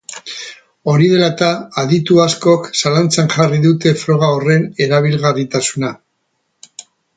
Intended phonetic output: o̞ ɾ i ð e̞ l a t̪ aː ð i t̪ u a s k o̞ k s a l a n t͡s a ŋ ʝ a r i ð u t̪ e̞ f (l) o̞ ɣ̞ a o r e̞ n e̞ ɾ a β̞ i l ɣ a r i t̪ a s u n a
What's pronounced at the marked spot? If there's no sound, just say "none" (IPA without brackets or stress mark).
ɾ